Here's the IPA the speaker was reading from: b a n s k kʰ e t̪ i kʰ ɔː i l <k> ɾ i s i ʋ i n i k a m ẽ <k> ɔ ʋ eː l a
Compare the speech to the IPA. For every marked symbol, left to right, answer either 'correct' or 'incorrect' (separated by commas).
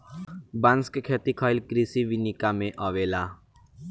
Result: correct, incorrect